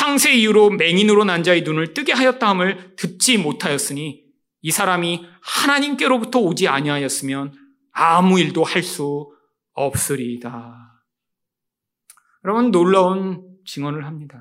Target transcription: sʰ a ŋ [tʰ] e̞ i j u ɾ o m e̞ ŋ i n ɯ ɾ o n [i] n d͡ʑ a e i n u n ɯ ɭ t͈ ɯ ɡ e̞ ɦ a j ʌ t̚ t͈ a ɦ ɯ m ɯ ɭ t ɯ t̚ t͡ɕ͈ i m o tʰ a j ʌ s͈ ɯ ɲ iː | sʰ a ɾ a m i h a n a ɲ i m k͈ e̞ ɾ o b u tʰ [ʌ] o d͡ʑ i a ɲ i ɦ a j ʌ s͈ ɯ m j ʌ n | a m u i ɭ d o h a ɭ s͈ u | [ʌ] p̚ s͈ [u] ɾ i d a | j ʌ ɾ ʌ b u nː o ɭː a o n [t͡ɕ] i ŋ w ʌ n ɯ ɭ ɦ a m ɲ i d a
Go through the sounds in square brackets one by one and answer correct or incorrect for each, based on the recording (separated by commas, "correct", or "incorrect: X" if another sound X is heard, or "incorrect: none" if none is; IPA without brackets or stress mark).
incorrect: sʰ, incorrect: a, correct, correct, incorrect: ɯ, correct